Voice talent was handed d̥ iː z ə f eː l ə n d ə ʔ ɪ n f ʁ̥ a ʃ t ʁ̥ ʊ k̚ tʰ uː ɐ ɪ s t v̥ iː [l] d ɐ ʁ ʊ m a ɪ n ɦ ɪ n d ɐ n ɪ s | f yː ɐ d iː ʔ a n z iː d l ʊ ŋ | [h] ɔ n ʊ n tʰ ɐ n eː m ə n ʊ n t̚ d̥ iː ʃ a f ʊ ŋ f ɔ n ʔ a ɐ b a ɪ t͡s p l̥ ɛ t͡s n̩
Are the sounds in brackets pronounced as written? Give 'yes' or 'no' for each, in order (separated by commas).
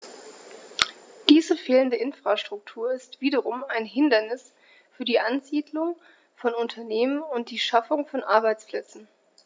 no, no